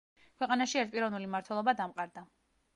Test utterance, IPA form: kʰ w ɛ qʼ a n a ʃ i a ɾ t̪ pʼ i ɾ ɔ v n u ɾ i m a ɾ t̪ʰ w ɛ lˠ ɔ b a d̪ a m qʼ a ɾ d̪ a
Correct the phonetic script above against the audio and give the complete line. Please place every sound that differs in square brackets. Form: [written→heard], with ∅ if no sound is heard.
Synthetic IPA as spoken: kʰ w ɛ qʼ a n a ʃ i [a→ɛ] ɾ t̪ pʼ i ɾ ɔ v n u [ɾ→l] i m a ɾ t̪ʰ w ɛ lˠ ɔ b a d̪ a m qʼ a ɾ d̪ a